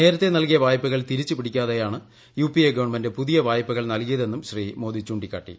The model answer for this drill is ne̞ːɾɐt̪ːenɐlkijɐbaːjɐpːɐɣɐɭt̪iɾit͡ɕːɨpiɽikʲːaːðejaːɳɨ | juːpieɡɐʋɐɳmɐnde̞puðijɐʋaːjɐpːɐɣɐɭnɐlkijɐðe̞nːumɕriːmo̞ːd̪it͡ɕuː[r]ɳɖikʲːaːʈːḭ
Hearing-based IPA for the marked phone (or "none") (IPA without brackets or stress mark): none